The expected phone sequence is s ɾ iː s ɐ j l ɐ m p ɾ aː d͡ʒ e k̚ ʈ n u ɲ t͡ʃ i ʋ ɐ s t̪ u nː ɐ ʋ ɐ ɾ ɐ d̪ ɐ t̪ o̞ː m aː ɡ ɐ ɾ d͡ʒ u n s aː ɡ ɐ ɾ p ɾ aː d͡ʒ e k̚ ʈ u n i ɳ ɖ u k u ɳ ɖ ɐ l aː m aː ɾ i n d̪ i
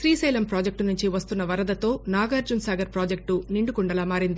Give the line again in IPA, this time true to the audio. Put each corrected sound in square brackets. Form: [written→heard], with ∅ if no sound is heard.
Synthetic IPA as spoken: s ɾ iː s ɐ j l ɐ m p ɾ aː d͡ʒ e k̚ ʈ n u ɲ t͡ʃ i ʋ ɐ s t̪ u nː ɐ ʋ ɐ ɾ ɐ d̪ ɐ t̪ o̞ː [m→n] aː ɡ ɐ ɾ d͡ʒ u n s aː ɡ ɐ ɾ p ɾ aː d͡ʒ e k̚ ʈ u n i ɳ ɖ u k u ɳ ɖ ɐ l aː m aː ɾ i n d̪ i